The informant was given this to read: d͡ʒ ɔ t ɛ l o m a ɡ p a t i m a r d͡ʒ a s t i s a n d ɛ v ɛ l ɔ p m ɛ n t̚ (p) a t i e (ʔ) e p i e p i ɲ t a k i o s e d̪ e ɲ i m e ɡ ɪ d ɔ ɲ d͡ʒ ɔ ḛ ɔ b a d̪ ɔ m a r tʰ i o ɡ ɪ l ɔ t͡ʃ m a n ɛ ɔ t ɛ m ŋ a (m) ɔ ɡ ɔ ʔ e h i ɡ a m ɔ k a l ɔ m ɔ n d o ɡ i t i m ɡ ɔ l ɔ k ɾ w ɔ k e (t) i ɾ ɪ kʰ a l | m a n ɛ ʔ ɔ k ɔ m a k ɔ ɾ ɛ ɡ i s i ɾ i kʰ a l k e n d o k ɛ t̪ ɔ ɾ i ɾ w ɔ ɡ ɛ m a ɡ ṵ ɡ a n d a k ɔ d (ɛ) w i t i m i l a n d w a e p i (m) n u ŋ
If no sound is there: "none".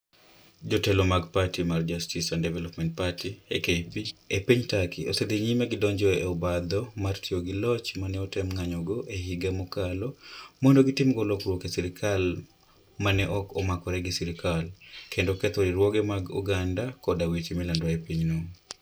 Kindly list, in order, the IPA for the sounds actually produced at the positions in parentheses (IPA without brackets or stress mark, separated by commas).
p, k, ɲ, s, a, ɲ